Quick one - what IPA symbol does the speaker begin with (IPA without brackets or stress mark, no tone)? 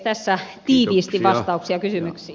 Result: t̪